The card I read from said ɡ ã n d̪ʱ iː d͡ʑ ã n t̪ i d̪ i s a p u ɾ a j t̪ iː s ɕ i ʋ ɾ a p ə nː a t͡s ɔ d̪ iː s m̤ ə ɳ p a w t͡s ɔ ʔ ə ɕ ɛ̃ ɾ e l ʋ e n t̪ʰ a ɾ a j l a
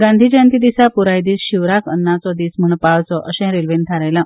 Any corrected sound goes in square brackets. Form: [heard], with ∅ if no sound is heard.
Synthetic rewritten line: ɡ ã n d̪ʱ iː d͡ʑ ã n t̪ i d̪ i s a p u ɾ a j [d̪] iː s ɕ i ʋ ɾ a [k] ə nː a t͡s ɔ d̪ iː s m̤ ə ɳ p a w t͡s ɔ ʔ ə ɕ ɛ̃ ɾ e l ʋ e n t̪ʰ a ɾ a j l a

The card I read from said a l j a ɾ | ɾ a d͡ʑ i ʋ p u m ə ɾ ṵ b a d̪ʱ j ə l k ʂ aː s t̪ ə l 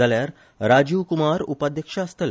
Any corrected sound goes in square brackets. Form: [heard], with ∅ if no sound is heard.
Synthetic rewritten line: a l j a ɾ | ɾ a d͡ʑ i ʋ [k] u m [a] ɾ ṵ [p] a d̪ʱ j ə [∅] k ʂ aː s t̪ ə l

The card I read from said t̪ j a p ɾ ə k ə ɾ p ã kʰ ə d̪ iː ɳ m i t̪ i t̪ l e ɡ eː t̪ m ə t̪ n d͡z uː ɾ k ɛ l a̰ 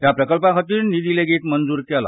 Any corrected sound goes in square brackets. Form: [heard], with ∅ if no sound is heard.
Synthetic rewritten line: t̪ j a p ɾ ə k ə [l] p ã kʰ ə [t̪] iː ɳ [n] i [d̪] i [∅] l e ɡ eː t̪ m ə [∅] n d͡z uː ɾ k ɛ l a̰

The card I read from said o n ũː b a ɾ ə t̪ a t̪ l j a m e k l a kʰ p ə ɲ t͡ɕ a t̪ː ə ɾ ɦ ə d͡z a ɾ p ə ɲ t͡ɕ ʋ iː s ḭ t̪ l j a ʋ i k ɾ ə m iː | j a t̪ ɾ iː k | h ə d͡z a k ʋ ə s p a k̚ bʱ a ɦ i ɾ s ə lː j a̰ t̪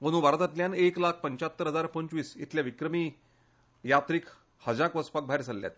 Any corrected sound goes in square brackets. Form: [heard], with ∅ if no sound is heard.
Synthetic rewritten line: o n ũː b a ɾ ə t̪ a t̪ l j a [n] e k l a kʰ p ə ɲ t͡ɕ a t̪ː ə ɾ ɦ ə d͡z a ɾ p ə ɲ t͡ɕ ʋ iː s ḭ t̪ l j a ʋ i k ɾ ə m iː | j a t̪ ɾ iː k | h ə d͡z a k ʋ ə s p a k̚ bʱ a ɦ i ɾ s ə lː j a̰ t̪

